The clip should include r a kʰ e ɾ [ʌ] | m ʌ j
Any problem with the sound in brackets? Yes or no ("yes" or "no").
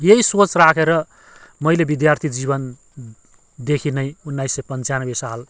no